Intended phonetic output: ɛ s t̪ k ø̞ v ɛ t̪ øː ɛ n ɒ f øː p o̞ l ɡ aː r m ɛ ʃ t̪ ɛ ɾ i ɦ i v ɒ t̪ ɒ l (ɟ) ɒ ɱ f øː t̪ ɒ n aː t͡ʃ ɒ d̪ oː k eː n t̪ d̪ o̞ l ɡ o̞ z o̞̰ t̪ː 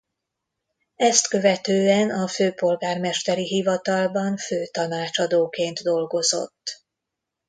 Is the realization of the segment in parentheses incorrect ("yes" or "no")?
yes